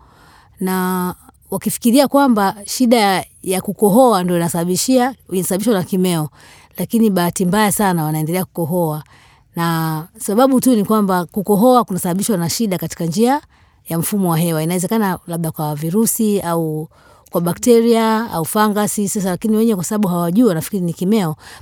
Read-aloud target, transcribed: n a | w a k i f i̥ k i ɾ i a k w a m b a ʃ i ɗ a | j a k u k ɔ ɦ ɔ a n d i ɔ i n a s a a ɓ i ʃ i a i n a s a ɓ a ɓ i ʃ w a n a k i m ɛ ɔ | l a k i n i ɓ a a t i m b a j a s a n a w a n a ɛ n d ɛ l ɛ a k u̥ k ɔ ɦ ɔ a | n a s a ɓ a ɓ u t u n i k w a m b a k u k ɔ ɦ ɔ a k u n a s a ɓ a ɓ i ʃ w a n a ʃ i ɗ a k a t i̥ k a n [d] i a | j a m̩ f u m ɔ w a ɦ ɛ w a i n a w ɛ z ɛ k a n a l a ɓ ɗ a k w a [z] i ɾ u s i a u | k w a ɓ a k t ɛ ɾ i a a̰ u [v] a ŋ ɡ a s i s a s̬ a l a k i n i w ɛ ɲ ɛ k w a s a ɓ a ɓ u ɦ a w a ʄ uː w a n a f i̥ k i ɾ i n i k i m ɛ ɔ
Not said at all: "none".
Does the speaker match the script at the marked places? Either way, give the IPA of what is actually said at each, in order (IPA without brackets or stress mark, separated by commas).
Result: d͡ʒ, v, f